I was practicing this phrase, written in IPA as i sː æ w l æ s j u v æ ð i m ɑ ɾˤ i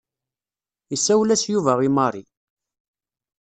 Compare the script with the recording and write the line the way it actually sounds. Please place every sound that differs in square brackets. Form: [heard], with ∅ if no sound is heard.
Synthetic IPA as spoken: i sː æ w l æ s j u v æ [ʁ] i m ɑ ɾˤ i